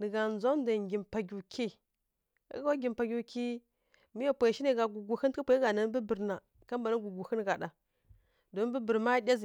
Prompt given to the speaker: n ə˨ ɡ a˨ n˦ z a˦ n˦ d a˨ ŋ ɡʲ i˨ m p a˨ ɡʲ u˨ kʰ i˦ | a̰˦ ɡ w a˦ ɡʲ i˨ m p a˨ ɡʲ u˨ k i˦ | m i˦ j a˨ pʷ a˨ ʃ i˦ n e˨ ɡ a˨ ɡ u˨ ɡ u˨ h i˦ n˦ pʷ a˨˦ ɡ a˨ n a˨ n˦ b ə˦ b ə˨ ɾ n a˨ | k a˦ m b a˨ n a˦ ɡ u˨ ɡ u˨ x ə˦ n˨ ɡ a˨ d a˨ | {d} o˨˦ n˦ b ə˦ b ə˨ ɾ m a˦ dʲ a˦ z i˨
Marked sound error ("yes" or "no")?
no